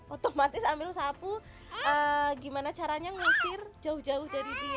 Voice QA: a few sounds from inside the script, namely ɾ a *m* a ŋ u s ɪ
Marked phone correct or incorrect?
incorrect: ɲ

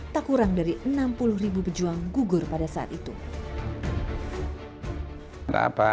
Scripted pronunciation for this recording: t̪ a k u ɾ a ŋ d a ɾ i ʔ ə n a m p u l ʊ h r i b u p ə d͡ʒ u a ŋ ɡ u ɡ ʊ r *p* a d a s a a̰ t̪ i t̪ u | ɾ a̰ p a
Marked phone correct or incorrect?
correct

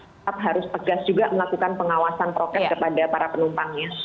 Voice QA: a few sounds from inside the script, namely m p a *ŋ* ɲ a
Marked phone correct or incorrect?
correct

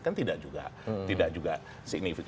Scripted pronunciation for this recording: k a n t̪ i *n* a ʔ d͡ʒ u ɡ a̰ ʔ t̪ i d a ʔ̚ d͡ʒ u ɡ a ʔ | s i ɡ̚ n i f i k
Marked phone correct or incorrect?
incorrect: d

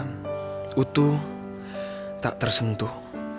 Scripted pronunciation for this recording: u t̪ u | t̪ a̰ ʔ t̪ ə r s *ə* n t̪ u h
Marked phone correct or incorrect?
correct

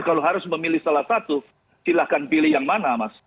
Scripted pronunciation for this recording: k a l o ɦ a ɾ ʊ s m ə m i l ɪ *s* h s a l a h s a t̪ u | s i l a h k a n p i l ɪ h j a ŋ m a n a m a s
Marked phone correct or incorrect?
incorrect: none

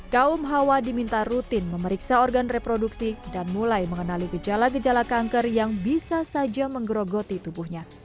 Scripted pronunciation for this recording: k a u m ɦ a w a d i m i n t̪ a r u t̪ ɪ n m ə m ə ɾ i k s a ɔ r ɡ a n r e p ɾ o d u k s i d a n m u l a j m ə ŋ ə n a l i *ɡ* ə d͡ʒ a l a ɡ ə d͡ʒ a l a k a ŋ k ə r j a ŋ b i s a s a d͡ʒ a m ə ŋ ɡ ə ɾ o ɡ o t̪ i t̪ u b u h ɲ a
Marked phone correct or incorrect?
correct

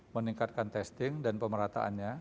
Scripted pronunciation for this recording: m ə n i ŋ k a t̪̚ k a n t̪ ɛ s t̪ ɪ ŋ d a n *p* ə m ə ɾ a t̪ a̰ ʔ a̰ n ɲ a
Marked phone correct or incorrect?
correct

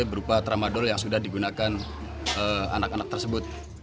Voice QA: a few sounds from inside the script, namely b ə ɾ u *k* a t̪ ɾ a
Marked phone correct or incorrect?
incorrect: p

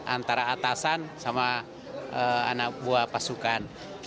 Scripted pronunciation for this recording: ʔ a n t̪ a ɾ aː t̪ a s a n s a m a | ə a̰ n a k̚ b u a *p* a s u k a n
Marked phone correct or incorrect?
correct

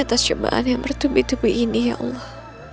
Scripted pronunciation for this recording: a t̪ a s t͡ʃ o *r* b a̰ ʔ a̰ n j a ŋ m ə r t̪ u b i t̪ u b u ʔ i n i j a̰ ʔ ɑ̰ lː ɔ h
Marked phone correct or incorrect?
incorrect: none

